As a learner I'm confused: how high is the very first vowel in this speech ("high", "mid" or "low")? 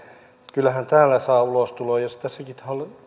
high